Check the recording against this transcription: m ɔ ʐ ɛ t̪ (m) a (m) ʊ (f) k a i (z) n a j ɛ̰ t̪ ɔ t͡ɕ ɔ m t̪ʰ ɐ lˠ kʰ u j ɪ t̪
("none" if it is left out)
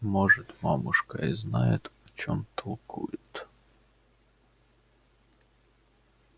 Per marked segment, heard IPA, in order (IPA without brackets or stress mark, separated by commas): m, m, ʂ, z